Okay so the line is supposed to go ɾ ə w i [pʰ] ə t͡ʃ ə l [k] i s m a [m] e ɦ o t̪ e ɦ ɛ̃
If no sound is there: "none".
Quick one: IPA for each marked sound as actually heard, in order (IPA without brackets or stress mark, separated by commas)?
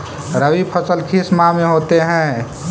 pʰ, kʰ, m